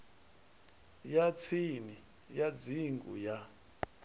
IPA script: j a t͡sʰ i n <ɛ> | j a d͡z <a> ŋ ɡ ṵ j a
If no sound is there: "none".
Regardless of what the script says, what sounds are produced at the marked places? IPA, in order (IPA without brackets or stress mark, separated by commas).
i, i